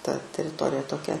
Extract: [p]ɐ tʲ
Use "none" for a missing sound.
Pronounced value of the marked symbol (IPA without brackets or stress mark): t